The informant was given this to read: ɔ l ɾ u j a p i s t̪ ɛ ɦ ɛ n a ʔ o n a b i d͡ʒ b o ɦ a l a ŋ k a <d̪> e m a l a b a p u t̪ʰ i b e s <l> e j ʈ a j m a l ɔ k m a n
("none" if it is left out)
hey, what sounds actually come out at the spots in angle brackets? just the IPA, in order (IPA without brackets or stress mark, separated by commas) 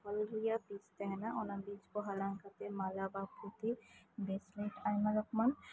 t̪, l